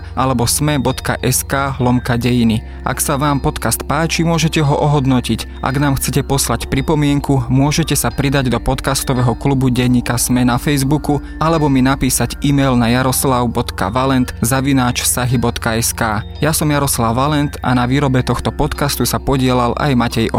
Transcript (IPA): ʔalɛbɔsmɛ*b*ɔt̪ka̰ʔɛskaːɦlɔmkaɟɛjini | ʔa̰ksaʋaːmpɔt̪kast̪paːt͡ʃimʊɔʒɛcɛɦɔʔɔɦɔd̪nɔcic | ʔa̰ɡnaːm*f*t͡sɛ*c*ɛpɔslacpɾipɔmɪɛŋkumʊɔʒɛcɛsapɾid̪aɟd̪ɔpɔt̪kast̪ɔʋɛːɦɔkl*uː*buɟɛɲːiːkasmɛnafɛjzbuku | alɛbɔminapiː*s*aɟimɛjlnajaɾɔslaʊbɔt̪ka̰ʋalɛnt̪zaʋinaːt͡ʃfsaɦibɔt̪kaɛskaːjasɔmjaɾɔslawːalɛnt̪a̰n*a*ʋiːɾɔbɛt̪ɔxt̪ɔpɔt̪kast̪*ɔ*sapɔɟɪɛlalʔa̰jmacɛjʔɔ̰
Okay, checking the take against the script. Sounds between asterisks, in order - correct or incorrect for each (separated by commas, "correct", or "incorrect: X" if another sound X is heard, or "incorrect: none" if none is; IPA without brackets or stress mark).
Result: correct, incorrect: x, correct, incorrect: u, correct, correct, incorrect: u